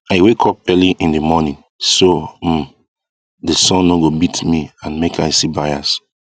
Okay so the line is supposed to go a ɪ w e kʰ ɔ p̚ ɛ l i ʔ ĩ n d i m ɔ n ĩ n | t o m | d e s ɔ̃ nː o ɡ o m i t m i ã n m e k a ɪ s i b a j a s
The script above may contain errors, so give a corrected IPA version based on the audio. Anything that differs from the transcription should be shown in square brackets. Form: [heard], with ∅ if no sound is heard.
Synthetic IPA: a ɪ w e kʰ ɔ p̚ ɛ l i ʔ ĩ n d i m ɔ n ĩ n | [s] o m | d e s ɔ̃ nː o ɡ o [b] i t m i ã n m e k a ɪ s i b a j a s